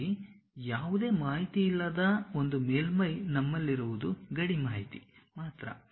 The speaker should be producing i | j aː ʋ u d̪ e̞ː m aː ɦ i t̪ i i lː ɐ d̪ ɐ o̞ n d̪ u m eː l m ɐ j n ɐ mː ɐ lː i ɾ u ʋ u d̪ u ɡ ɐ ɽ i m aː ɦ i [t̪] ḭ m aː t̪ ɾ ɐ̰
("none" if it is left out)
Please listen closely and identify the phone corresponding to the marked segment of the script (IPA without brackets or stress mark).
t̪